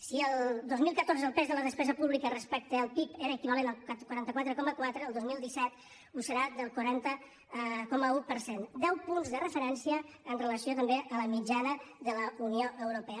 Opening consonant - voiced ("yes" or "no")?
no